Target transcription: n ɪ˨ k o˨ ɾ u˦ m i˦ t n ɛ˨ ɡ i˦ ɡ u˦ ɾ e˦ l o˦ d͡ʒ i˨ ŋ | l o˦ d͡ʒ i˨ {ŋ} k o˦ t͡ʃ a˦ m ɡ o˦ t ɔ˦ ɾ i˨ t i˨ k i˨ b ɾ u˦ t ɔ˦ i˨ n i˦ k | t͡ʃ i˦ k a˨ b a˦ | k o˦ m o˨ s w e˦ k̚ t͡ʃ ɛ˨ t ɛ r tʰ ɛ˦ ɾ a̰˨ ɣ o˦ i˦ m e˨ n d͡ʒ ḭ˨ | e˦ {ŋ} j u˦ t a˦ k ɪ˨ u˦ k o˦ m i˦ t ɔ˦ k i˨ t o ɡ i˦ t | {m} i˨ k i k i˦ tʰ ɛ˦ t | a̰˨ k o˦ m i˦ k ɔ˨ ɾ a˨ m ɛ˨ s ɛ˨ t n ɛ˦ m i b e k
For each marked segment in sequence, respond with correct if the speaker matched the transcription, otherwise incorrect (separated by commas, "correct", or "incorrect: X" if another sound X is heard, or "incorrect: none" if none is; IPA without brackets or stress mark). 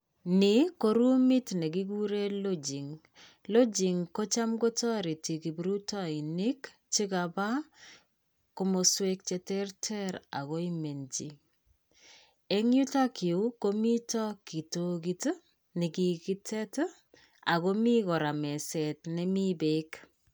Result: correct, correct, incorrect: n